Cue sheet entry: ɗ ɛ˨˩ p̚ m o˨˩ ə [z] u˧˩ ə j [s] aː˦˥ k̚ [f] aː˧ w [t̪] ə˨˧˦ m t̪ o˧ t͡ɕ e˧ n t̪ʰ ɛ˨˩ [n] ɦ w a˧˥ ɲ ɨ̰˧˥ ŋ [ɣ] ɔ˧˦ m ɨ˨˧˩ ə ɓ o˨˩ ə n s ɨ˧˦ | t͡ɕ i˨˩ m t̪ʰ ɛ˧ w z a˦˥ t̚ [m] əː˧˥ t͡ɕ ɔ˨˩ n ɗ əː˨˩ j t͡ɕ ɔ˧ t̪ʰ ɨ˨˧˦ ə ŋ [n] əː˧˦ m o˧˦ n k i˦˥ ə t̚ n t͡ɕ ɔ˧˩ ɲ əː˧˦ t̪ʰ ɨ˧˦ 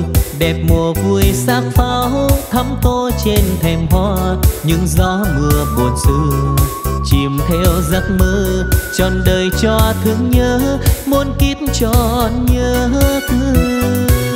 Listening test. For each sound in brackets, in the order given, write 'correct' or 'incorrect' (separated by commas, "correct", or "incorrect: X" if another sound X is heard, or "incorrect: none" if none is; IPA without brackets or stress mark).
incorrect: v, correct, correct, incorrect: t̪ʰ, incorrect: m, incorrect: z, correct, incorrect: ɲ